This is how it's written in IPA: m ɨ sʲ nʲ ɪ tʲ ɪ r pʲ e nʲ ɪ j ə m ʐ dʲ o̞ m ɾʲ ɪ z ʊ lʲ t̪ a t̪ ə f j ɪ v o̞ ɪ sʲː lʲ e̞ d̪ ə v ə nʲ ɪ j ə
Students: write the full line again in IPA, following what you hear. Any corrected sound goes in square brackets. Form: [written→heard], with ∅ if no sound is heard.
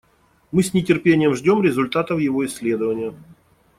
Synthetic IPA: m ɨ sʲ nʲ ɪ tʲ ɪ r pʲ e nʲ ɪ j ə m ʐ dʲ o̞ m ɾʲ ɪ z ʊ lʲ t̪ a t̪ ə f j ɪ v o̞ ɪ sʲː lʲ e̞ d̪ ə v ə nʲ ɪ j ə

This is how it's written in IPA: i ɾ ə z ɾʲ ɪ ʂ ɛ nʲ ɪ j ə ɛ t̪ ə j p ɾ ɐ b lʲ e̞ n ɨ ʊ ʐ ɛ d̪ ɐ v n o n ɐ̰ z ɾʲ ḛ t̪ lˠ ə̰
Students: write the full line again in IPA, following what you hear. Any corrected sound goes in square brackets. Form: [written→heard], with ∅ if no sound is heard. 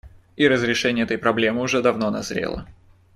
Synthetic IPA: i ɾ ə z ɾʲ ɪ ʂ ɛ nʲ ɪ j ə ɛ t̪ ə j p ɾ ɐ b lʲ e̞ [n→m] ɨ ʊ ʐ ɛ d̪ ɐ v n o n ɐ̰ z ɾʲ ḛ [t̪→∅] lˠ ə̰

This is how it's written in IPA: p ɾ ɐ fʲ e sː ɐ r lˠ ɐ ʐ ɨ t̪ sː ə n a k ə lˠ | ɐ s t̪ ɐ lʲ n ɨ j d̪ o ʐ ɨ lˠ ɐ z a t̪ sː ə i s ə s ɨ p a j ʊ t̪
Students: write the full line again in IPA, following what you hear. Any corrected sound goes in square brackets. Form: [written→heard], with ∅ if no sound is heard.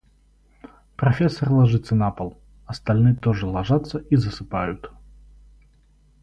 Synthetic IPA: p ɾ ɐ fʲ e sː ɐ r lˠ ɐ ʐ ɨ t̪ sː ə n a [k→p] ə lˠ | ɐ s t̪ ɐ lʲ n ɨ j [d̪→t̪] o ʐ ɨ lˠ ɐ [z→ʐ] a t̪ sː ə i [s→z] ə s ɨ p a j ʊ t̪

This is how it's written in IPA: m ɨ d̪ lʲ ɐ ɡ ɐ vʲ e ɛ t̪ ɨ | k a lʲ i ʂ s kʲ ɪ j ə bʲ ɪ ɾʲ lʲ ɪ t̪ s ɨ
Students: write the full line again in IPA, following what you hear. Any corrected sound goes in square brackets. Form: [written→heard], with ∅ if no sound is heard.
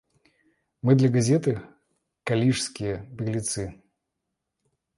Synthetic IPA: m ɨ d̪ lʲ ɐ ɡ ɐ [vʲ→zʲ] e ɛ t̪ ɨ | k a lʲ i ʂ s kʲ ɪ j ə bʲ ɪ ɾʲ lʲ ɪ t̪ s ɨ

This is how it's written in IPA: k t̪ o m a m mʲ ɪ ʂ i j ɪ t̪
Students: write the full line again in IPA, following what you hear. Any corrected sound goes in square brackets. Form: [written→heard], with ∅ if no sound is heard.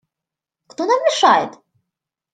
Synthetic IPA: k t̪ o [m→n] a m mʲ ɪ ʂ [i→a] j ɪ t̪

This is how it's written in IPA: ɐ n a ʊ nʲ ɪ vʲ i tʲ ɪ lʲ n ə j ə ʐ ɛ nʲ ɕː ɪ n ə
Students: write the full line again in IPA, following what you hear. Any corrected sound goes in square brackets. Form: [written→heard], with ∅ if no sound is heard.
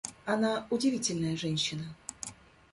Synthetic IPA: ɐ n a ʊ [nʲ→dʲ] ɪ vʲ i tʲ ɪ lʲ n ə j ə ʐ ɛ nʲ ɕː ɪ n ə

